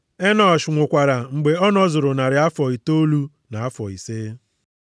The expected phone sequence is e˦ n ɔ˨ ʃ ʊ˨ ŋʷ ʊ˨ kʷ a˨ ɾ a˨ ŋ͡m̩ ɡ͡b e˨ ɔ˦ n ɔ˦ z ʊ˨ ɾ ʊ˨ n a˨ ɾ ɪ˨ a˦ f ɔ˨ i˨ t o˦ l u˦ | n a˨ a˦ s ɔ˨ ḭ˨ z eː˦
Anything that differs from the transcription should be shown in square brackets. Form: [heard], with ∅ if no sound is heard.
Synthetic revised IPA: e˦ n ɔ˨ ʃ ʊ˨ ŋʷ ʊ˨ kʷ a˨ ɾ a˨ ŋ͡m̩ ɡ͡b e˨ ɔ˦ n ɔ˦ z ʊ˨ ɾ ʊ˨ n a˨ ɾ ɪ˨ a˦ f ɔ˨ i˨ t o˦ l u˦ | n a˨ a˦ [f] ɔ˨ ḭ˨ [s] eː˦